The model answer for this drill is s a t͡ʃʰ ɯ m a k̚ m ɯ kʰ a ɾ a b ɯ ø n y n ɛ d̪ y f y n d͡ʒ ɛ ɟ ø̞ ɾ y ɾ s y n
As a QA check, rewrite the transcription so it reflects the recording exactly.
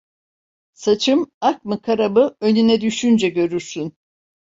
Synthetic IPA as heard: s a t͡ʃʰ ɯ m a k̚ m ɯ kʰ a ɾ a b ɯ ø n y n ɛ d̪ y ʃ y n d͡ʒ ɛ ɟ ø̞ ɾ y ɾ s y n